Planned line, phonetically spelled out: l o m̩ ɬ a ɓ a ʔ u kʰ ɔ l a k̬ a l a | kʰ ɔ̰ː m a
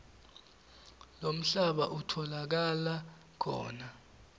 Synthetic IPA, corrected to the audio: l o m̩ ɬ a ɓ a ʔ u tʰ ɔ l a k̬ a l a | kʰ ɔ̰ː n a